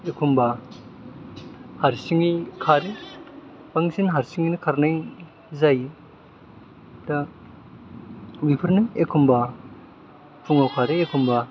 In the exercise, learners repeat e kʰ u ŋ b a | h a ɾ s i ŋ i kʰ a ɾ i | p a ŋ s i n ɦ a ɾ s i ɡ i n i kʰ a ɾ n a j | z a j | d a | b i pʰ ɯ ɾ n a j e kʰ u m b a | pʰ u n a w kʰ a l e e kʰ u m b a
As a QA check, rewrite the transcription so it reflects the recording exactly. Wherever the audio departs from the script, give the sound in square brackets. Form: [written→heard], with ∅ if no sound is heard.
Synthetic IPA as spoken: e kʰ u [ŋ→m] b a | h a ɾ s i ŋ i kʰ a ɾ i | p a ŋ s i n ɦ a ɾ s i [ɡ→ŋ] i n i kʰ a ɾ n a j | z a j | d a | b i pʰ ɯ ɾ n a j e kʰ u m b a | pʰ u [n→ŋ] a w kʰ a [l→ɾ] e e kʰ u m b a